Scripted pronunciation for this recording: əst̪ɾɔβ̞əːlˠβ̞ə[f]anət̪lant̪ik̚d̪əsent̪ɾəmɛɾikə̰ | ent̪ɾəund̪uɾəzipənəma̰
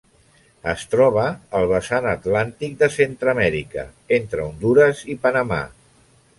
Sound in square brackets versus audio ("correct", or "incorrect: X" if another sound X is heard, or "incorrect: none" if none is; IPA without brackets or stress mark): incorrect: s